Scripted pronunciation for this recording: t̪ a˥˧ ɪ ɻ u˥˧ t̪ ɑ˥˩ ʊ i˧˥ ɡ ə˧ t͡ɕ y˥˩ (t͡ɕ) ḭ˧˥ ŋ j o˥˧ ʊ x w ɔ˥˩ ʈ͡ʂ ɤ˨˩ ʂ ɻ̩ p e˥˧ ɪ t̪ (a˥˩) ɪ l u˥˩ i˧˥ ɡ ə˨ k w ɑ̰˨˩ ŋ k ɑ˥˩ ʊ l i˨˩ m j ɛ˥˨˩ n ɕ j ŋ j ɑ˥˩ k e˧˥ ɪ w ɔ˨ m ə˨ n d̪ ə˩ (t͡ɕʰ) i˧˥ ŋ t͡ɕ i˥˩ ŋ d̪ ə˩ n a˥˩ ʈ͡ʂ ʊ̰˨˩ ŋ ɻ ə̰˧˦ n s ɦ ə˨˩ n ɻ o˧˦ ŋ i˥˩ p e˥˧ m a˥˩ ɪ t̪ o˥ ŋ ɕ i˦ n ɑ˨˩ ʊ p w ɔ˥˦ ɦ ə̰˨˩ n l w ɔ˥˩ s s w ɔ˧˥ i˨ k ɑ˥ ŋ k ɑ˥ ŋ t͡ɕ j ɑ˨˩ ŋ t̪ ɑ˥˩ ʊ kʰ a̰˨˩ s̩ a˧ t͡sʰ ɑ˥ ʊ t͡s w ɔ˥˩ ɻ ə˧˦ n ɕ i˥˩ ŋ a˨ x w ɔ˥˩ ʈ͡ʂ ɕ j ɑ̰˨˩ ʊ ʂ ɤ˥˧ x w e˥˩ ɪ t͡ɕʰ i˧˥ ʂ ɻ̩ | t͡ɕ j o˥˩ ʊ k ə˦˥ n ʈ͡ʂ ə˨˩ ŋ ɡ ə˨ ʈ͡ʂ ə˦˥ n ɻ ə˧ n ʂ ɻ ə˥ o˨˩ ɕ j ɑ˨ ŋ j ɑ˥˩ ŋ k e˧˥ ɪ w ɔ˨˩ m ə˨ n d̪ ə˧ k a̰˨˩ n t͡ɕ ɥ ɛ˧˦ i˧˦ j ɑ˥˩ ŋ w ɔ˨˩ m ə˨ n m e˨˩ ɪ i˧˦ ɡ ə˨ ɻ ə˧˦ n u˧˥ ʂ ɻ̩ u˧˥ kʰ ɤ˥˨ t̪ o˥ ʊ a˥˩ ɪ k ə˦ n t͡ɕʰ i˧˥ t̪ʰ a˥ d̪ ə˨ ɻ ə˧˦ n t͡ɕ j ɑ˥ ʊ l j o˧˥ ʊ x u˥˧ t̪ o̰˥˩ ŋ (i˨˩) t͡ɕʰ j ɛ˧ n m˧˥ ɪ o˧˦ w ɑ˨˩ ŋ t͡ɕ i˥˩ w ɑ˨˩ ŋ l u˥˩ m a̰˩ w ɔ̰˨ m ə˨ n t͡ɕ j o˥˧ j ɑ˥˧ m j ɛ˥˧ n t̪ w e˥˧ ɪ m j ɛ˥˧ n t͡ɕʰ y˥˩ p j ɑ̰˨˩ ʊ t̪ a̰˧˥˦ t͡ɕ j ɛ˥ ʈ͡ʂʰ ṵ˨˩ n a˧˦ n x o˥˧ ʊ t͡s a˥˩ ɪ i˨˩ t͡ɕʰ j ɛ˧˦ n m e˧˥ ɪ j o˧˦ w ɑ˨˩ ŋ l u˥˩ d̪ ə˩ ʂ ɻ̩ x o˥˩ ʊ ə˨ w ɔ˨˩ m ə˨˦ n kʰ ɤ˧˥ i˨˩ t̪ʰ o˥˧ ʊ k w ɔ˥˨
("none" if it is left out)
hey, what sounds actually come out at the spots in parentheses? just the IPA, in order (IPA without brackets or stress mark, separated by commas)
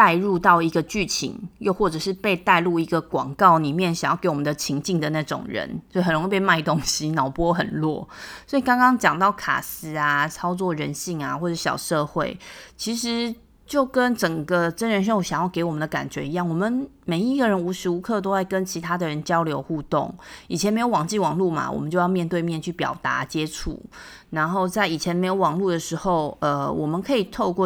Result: t͡ɕʰ, a˥˧, t͡ɕʰ, i˨˩